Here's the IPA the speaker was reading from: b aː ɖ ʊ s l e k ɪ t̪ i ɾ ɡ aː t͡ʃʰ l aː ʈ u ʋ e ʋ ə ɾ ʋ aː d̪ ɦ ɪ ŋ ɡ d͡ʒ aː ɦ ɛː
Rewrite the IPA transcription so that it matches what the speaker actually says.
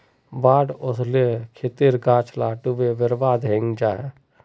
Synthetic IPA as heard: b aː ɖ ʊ s l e kʰ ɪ t̪ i ɾ ɡ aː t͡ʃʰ l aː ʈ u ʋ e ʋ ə ɾ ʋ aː d̪ ɦ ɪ ŋ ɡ d͡ʒ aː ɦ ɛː